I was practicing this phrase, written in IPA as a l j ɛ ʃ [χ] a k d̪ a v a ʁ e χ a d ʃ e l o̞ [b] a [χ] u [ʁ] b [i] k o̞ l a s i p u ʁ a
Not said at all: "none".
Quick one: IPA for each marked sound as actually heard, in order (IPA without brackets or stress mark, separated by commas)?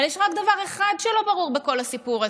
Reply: ʁ, b, ʁ, ʁ, e